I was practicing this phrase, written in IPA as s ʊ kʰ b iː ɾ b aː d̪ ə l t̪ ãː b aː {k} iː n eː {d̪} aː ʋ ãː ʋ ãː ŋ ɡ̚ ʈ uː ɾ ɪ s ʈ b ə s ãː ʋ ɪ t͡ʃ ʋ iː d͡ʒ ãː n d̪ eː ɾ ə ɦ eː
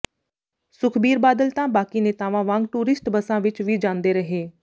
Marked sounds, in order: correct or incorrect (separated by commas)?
correct, incorrect